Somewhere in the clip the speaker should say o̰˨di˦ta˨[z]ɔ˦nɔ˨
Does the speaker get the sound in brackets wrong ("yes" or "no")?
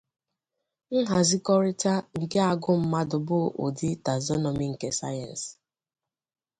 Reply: no